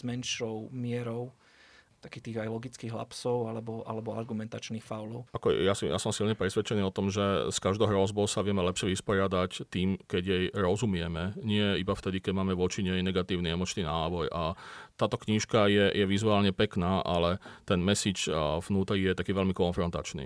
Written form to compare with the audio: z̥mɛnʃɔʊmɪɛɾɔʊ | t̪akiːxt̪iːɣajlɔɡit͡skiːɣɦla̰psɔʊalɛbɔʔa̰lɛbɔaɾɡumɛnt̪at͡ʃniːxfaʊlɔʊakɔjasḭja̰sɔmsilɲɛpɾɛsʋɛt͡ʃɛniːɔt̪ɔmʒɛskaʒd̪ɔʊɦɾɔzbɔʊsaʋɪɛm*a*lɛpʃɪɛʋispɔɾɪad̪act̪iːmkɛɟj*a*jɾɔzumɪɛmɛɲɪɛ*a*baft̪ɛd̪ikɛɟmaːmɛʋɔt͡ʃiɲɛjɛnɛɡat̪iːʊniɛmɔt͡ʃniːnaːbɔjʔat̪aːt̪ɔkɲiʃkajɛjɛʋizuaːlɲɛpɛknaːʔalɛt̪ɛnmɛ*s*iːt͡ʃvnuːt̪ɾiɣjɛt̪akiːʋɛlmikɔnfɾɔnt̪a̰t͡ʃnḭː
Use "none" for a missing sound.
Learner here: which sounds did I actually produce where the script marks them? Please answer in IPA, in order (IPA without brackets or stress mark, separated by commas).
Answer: ɛ, ɛ, i, s